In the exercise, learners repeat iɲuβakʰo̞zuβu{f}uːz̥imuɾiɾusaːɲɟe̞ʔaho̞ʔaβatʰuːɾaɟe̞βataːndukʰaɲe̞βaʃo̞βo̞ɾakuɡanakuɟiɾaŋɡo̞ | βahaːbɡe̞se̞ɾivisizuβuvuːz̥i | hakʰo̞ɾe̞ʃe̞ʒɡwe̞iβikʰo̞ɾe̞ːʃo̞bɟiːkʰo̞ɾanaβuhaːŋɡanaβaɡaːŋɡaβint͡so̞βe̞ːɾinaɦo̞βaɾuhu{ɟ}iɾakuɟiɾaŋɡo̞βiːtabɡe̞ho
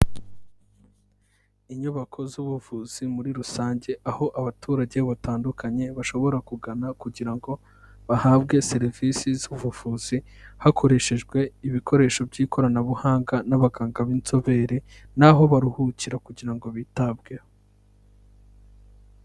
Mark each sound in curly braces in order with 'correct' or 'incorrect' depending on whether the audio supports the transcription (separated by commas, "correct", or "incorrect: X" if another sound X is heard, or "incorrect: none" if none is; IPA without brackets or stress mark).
incorrect: v, incorrect: c